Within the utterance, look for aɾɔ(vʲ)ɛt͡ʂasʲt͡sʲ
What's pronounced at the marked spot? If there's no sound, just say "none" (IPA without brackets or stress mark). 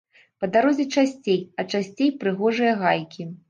zʲ